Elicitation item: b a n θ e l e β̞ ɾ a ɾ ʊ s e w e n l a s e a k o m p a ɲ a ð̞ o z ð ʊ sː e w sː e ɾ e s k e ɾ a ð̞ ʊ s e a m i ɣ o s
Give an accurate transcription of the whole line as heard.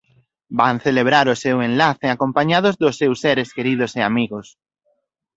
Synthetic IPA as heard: b a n θ e l e β̞ ɾ a ɾ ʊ s e w e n l a θ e a k o m p a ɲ a ð̞ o z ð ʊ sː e w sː e ɾ e s k e ɾ i ð̞ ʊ s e a m i ɣ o s